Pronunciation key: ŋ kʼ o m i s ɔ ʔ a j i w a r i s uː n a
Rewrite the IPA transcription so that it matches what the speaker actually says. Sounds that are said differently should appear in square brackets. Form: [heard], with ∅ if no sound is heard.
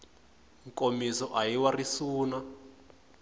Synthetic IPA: ŋ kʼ o m i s ɔ ʔ a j i w a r i s uː n a